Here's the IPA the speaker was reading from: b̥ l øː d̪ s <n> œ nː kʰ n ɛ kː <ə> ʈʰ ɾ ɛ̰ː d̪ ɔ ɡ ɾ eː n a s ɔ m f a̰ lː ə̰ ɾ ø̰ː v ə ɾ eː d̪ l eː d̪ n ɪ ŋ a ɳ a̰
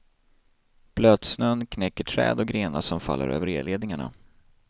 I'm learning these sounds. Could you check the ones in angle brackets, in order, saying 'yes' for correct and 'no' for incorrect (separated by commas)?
yes, yes